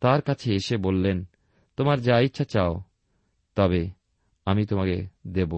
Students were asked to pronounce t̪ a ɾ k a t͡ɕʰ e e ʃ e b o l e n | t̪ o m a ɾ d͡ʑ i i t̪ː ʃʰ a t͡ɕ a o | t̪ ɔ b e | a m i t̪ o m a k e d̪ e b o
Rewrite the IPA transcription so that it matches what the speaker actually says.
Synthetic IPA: t̪ a ɾ k a t͡ɕʰ e e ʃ e b o lː e n | t̪ o m a ɾ d͡ʑ a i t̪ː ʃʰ a t͡ɕ a o | t̪ ɔ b e | a m i t̪ o m a k e d̪ e b o